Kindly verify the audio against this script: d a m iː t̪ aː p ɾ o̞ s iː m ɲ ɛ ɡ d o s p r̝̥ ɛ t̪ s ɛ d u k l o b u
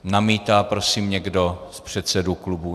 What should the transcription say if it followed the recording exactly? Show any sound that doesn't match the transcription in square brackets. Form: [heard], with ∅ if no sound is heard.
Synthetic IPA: [n] a m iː t̪ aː p ɾ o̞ s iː m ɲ ɛ ɡ d o s p r̝̥ ɛ t̪ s ɛ d u k l [u] b u

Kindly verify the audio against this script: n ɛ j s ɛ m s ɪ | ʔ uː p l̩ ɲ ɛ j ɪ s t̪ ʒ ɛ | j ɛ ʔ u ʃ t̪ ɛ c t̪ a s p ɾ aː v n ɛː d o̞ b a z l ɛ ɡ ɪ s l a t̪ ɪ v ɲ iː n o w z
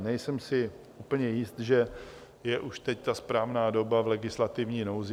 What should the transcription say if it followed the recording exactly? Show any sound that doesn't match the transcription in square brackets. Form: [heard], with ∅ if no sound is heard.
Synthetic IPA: n ɛ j s ɛ m s ɪ | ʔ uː p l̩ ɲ ɛ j ɪ s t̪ ʒ ɛ | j ɛ ʔ u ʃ t̪ ɛ c t̪ a s p ɾ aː v n [aː] d o̞ b a [v] l ɛ ɡ ɪ s l a t̪ ɪ v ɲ iː n o w z

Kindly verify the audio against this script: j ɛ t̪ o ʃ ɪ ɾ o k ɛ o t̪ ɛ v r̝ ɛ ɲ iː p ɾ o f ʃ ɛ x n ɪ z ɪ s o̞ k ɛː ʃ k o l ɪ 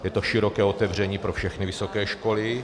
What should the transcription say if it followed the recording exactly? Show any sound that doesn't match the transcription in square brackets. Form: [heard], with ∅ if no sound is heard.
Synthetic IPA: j ɛ t̪ o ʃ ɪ ɾ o k [ɛː] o t̪ ɛ v r̝ ɛ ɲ iː p ɾ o f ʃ ɛ x n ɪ [v] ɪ s o̞ k ɛː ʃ k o l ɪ

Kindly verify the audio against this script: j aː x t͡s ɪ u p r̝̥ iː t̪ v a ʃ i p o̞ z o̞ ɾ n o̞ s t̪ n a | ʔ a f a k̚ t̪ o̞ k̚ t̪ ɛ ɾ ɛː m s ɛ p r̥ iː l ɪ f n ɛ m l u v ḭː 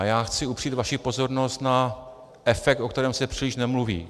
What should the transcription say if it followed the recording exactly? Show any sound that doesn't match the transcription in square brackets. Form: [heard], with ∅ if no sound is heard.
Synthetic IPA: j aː x t͡s ɪ u p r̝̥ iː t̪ v a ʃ i p o̞ z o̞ ɾ n o̞ s t̪ n a | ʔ [ɛ] f [ɛ] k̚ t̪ o̞ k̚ t̪ ɛ ɾ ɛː m s ɛ p r̥ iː l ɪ [ʃ] n ɛ m l u v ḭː

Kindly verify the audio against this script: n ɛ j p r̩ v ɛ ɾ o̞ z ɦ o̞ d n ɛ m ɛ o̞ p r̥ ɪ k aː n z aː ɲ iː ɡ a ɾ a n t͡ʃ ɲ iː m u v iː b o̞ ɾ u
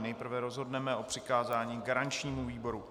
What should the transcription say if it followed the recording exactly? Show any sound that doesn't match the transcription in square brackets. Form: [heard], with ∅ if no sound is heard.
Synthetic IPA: n ɛ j p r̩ v ɛ ɾ o̞ z ɦ o̞ d n ɛ m ɛ o̞ p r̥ ɪ k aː [∅] z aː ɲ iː ɡ a ɾ a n t͡ʃ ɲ iː m u v iː b o̞ ɾ u

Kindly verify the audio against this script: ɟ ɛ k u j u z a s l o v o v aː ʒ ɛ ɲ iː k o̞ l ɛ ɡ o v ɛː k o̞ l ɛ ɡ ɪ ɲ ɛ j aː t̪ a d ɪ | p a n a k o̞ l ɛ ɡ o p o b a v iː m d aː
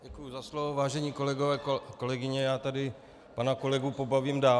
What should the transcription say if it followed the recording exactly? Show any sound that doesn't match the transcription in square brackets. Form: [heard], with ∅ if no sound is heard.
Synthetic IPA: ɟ ɛ k u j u z a s l o v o v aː ʒ ɛ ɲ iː k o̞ l ɛ ɡ o v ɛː k o̞ l ɛ ɡ ɪ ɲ ɛ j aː t̪ a d ɪ | p a n a k o̞ l ɛ ɡ [u] p o b a v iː m d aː

